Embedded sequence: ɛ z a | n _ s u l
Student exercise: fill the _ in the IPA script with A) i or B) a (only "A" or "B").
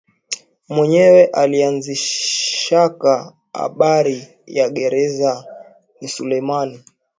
A